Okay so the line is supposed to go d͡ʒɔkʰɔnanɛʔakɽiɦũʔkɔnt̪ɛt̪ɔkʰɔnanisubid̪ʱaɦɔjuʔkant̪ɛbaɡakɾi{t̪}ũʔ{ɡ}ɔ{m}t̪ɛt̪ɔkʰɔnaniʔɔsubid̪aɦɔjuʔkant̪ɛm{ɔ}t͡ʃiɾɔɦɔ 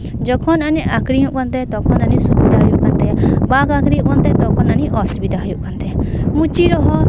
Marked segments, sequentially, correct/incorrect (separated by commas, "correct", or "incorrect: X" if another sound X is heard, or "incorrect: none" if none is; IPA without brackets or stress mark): incorrect: none, incorrect: k, incorrect: n, incorrect: u